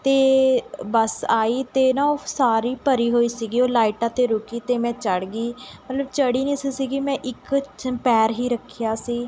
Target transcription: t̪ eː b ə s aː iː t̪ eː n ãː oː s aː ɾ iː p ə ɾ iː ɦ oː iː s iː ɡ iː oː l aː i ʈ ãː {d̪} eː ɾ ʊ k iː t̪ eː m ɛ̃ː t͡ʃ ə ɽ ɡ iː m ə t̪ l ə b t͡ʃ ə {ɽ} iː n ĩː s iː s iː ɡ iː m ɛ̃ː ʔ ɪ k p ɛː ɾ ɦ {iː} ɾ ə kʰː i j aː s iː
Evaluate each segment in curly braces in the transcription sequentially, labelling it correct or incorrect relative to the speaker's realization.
incorrect: t̪, correct, correct

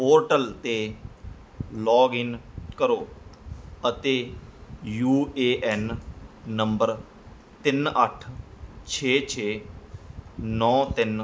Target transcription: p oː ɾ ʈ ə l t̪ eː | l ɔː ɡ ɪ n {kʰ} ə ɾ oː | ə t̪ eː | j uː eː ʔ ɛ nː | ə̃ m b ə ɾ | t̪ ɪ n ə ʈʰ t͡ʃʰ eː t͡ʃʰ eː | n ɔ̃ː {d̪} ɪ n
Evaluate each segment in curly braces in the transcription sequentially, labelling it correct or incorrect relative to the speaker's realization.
incorrect: k, incorrect: t̪

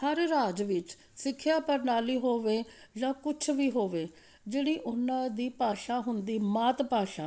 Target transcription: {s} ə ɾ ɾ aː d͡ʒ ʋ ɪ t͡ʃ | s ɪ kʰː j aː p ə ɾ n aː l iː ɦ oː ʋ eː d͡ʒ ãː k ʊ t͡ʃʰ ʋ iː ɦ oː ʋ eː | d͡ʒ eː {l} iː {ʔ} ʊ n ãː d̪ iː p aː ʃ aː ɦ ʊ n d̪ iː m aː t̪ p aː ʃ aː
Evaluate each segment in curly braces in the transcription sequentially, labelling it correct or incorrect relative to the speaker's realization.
incorrect: h, incorrect: ɽ, correct

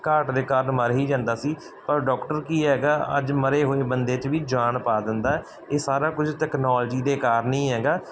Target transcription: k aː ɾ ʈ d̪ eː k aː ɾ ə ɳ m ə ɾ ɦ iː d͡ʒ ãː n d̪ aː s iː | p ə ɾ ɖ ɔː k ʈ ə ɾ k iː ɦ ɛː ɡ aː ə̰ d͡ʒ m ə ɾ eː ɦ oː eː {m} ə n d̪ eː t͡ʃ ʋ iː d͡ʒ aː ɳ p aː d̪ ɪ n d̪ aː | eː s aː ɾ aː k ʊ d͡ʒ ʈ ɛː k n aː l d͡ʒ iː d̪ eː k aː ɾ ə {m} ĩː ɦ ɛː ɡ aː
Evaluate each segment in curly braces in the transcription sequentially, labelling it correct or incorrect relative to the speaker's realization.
incorrect: b, incorrect: n

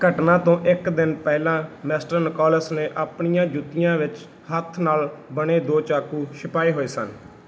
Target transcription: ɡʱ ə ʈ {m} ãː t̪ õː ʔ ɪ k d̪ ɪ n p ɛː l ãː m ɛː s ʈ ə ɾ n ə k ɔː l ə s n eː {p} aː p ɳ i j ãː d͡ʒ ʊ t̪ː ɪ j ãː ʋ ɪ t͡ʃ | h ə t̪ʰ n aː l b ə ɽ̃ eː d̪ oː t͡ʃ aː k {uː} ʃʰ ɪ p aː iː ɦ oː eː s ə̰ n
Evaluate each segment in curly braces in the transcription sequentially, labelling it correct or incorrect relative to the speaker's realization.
incorrect: n, incorrect: ʔ, correct

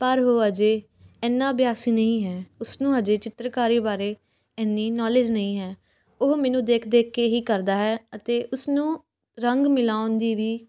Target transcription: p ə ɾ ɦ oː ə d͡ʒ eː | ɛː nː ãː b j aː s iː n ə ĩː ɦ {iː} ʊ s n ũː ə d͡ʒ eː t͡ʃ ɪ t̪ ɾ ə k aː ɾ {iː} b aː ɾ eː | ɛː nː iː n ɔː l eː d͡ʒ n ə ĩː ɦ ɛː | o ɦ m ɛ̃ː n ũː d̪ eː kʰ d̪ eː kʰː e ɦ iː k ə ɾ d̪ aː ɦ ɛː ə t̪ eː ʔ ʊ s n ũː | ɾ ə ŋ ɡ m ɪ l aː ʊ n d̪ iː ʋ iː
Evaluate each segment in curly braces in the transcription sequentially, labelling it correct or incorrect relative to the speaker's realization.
incorrect: ɛː, correct

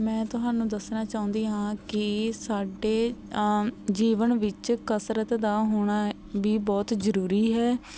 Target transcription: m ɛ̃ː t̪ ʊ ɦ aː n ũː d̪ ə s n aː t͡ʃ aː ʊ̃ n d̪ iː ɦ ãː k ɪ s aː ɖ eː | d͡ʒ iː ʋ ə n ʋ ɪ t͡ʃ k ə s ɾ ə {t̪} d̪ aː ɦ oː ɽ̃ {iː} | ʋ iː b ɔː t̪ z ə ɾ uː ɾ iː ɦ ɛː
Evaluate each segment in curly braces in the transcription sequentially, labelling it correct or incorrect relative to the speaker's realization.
correct, incorrect: aː

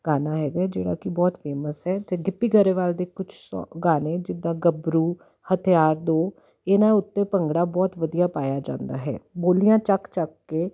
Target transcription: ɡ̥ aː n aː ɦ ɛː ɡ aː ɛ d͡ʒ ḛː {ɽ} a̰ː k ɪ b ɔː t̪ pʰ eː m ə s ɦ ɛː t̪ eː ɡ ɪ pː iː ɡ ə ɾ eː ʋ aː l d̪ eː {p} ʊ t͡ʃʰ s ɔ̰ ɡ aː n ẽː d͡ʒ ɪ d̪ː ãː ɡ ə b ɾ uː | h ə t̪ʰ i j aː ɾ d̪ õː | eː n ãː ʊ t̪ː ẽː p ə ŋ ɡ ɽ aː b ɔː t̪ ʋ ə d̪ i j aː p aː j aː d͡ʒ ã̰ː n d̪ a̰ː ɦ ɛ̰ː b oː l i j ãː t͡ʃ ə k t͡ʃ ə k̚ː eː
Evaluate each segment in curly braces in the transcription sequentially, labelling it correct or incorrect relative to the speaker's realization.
correct, incorrect: k

